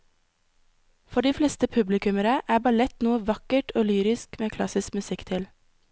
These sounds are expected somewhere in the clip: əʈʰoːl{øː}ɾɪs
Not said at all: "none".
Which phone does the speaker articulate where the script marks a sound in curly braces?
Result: yː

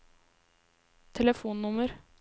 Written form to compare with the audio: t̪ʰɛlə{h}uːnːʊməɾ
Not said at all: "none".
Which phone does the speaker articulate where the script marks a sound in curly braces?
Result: f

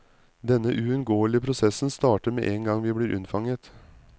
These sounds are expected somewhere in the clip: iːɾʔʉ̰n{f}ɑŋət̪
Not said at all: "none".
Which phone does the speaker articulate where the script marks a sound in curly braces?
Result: f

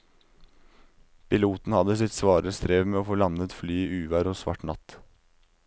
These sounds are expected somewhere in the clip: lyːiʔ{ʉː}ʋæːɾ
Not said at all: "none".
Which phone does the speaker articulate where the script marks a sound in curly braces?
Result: ʉː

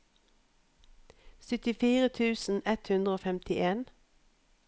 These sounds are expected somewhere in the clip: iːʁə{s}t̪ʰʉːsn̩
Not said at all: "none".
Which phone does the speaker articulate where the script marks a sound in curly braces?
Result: none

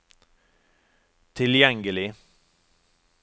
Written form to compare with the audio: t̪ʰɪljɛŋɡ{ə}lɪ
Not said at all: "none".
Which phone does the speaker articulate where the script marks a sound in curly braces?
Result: ə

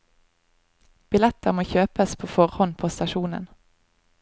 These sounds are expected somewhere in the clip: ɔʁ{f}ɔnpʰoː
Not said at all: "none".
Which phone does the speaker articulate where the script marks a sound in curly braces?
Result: h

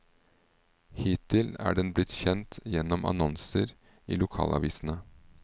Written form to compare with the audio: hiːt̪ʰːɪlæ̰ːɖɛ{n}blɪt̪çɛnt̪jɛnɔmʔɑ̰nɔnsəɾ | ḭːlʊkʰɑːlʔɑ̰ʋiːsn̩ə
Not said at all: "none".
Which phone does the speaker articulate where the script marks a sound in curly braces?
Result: n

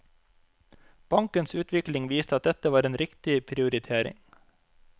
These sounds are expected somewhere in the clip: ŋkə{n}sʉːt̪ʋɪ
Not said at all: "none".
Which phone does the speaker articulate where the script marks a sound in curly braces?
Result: n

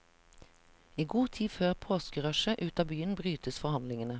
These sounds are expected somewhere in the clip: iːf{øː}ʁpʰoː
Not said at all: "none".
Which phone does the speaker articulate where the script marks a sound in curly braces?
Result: øː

